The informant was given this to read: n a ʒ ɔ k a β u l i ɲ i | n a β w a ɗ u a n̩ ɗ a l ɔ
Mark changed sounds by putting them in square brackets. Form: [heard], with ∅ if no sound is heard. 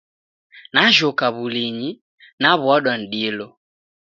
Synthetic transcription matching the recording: n a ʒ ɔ k a β u l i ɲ i | n a β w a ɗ [w] a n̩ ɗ [i] l ɔ

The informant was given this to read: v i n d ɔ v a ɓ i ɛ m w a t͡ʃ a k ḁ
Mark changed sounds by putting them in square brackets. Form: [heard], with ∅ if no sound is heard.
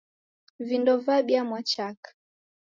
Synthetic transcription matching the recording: v i n d ɔ v a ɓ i [a] m w a t͡ʃ a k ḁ

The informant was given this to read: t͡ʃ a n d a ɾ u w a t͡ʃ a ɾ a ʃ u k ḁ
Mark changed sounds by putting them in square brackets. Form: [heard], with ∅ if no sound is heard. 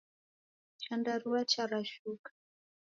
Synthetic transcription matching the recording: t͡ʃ a n d a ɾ u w a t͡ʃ a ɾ a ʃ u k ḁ

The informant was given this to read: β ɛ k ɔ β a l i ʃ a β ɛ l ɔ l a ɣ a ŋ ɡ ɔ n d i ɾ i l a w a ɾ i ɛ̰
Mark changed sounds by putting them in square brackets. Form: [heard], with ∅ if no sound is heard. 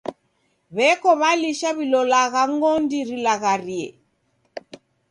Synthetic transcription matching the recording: β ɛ k ɔ β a l i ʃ a β [i] l ɔ l a ɣ a ŋ ɡ ɔ n d i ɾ i l a [ɣ] a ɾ i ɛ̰

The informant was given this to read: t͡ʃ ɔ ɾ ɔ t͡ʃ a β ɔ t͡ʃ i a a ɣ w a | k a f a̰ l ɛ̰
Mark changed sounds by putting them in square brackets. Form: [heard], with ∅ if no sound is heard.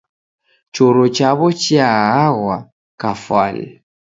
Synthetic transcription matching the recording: t͡ʃ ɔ ɾ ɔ t͡ʃ a β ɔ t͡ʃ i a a ɣ w a | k a f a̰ l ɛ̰

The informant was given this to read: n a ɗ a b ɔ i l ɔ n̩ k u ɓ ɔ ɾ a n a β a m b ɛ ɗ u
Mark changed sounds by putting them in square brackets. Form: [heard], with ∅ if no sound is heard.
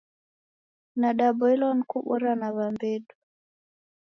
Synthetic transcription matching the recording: n a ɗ a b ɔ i l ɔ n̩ k u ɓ ɔ ɾ a n a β a m b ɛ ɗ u

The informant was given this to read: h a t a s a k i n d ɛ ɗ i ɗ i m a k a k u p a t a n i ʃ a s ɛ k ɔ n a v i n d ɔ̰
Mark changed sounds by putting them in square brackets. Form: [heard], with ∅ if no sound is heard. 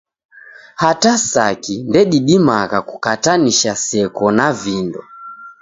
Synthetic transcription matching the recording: h a t a s a k i n d ɛ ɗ i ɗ i m a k a k u [k] a t a n i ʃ a s ɛ k ɔ n a v i n d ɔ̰

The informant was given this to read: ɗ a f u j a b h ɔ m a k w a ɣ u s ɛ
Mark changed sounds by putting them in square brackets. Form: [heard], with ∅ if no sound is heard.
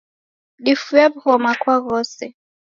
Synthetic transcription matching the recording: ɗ [i] f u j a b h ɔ m a k w a ɣ [ɔ] s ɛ

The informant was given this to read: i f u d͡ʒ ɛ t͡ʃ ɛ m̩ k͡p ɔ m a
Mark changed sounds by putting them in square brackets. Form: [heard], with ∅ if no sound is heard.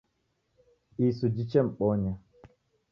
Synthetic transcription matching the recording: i [s] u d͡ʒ [i] t͡ʃ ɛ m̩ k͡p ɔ [ɲ] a

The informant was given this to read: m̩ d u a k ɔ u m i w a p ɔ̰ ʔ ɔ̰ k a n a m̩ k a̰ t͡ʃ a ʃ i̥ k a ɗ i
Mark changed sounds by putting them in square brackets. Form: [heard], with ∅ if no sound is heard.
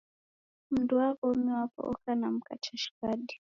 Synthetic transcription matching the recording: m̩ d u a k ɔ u m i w a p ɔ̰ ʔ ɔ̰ k a n a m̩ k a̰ t͡ʃ a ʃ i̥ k a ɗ i

